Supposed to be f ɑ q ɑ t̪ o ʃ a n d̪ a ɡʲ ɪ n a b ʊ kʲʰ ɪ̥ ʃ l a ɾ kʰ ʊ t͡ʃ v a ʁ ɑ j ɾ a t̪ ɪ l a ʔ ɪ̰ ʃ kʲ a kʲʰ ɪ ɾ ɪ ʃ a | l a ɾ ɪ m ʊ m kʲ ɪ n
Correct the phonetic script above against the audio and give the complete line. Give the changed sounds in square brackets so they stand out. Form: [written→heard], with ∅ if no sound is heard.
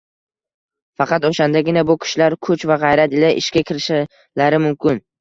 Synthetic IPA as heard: f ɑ q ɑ t̪ o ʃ a n d̪ a ɡʲ ɪ n a b ʊ kʲʰ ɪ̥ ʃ l a ɾ kʰ ʊ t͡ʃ v a ʁ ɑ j ɾ a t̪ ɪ l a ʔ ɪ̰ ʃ kʲ a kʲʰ ɪ ɾ ɪ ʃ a | l a ɾ ɪ m ʊ m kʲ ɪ n